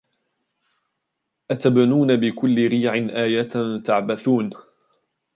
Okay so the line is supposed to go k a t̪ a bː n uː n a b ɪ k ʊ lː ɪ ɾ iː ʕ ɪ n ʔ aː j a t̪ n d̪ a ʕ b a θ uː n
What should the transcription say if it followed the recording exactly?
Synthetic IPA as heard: ʔ a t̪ a b n uː n a b ɪ k ʊ lː ɪ ɾ iː ʕ ɪ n ʔ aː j a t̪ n t̪ a ʕ b a θ uː n